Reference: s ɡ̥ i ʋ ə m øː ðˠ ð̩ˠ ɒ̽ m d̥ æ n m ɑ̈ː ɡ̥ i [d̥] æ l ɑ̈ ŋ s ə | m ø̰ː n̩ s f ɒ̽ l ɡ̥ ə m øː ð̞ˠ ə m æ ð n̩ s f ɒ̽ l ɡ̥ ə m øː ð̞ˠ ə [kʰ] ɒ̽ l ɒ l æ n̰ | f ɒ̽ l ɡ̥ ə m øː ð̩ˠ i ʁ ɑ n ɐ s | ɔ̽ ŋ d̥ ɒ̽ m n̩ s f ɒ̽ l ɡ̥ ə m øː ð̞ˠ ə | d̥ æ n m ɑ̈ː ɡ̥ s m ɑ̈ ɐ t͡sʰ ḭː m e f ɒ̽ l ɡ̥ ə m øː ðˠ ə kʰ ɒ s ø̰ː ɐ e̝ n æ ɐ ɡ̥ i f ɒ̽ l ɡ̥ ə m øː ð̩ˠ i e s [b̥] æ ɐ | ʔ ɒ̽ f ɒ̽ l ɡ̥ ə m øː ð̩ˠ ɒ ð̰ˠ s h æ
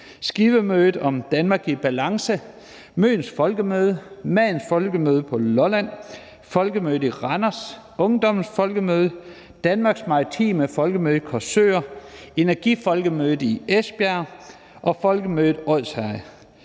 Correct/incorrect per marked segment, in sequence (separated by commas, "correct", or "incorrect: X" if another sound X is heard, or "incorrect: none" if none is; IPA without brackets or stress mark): incorrect: b̥, incorrect: pʰ, correct